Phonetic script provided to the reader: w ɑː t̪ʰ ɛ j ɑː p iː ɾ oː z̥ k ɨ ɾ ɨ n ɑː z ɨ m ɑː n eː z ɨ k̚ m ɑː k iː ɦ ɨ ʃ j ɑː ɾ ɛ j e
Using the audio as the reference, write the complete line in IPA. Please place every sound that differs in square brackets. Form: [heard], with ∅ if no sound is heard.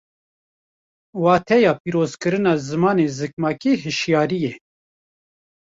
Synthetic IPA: w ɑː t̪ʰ ɛ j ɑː p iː ɾ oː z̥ k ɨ ɾ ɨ n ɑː z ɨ m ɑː n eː z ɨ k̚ m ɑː k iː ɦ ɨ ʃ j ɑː ɾ [i] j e